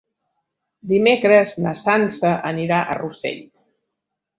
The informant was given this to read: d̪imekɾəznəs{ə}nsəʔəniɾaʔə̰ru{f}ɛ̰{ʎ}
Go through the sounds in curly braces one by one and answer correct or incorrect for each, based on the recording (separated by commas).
incorrect, incorrect, correct